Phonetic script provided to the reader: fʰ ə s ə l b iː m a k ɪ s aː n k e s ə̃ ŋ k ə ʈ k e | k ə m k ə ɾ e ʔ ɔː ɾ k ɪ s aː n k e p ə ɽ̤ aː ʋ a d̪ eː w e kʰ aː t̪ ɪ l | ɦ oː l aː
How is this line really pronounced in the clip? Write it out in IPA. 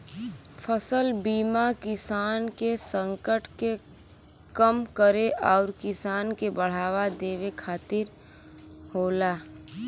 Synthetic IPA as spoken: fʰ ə s ə l b iː m a k ɪ s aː n k e s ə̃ ŋ k ə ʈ k e | k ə m k ə ɾ e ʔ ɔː ɾ k ɪ s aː n k e b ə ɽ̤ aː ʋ a d̪ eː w e kʰ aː t̪ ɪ ɾ | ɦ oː l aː